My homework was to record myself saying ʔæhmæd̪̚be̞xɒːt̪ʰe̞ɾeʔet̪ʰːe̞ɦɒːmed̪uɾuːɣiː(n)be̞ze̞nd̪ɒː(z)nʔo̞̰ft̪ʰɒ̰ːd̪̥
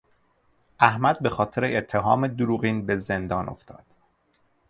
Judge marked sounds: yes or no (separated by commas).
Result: yes, no